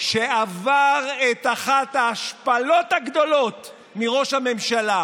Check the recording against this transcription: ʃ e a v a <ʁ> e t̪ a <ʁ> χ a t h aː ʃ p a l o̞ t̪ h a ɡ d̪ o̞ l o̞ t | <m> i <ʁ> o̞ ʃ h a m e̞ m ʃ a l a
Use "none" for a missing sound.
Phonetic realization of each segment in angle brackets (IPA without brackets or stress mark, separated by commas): ʁ, none, m, ʁ